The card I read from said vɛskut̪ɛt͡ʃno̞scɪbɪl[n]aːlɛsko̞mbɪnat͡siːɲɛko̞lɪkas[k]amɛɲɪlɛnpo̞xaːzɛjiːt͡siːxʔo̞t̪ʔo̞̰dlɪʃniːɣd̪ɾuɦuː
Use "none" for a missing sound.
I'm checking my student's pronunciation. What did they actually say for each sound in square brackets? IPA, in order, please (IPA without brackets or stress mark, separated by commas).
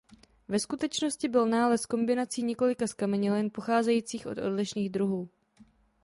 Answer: n, k